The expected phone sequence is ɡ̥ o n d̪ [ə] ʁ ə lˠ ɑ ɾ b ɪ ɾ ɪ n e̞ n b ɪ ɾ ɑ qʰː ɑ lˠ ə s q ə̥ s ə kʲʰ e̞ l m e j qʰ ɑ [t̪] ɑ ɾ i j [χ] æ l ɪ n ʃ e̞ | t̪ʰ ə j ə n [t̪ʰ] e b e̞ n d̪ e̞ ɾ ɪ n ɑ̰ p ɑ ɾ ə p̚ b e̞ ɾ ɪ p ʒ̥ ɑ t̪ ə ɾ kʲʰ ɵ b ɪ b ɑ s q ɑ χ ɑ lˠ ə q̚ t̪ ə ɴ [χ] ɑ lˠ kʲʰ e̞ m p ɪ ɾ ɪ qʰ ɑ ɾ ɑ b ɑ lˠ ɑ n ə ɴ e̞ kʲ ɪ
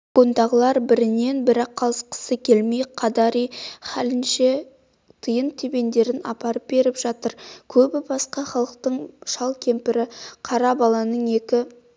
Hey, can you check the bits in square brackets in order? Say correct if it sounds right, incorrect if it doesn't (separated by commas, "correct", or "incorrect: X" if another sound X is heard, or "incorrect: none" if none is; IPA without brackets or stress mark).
incorrect: ɑ, incorrect: d̪, correct, correct, incorrect: ʃ